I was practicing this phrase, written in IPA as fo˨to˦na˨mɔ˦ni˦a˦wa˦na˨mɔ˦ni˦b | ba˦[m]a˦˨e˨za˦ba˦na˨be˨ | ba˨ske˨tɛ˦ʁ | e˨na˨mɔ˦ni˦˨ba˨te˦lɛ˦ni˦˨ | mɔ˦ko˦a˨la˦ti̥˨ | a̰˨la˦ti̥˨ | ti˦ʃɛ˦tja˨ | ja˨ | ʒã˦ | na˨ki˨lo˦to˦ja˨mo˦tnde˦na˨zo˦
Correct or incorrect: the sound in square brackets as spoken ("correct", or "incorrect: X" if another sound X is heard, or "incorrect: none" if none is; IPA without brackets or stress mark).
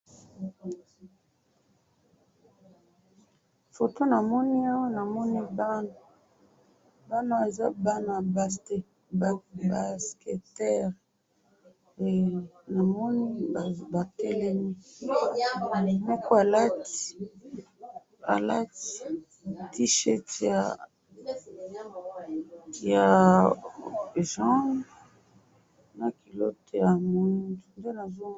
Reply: incorrect: n